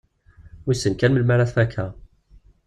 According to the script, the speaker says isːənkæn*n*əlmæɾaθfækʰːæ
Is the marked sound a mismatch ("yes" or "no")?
yes